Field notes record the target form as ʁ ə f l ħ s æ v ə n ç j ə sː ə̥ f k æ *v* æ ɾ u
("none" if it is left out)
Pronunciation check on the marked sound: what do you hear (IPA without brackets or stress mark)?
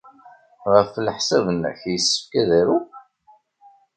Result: ð